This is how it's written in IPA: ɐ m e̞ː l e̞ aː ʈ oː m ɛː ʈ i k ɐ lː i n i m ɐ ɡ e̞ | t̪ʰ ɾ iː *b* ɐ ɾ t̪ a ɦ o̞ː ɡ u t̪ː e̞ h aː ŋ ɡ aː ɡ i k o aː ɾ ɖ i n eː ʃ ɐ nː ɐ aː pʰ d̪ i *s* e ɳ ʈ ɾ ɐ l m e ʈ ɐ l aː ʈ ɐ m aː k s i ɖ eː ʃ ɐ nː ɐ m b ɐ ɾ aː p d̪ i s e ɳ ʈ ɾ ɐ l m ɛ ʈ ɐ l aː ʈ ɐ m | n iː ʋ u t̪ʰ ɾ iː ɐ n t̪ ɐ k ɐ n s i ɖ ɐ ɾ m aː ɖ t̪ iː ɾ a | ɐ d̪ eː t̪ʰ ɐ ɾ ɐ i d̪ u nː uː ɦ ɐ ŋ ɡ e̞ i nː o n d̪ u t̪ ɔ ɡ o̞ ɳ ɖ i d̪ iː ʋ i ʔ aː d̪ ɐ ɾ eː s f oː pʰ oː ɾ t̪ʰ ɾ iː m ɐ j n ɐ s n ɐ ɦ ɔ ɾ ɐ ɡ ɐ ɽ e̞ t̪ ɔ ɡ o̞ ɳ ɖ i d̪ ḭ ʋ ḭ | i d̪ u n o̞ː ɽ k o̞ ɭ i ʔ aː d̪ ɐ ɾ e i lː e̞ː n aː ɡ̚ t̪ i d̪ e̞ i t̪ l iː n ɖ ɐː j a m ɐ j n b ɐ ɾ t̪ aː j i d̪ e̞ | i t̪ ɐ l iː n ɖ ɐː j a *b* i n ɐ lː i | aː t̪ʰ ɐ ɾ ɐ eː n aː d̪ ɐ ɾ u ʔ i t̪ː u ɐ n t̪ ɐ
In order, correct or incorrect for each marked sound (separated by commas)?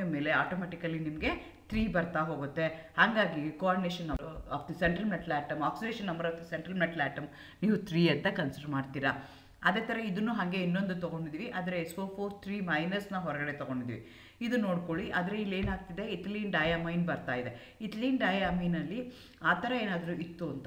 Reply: correct, correct, incorrect